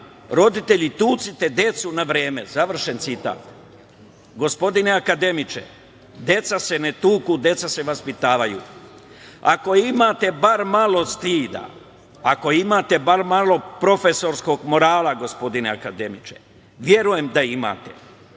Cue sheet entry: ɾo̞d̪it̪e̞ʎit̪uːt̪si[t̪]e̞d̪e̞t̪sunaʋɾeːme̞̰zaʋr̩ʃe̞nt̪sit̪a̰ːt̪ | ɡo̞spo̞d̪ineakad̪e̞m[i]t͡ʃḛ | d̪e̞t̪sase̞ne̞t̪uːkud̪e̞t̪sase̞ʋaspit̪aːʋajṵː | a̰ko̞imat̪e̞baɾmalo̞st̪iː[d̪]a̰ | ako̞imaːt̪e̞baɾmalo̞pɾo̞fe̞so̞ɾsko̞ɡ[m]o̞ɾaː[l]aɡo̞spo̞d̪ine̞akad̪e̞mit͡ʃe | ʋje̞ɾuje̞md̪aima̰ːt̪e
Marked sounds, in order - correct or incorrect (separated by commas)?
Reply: correct, correct, correct, correct, correct